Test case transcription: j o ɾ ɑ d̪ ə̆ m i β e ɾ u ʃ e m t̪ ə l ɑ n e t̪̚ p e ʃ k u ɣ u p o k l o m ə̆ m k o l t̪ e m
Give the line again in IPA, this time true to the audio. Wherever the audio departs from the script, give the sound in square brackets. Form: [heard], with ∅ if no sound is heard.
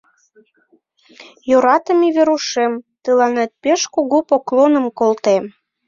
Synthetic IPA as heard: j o ɾ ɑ [t̪] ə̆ m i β e ɾ u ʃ e m t̪ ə l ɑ n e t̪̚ p e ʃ k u ɣ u p o k l o [n] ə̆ m k o l t̪ e m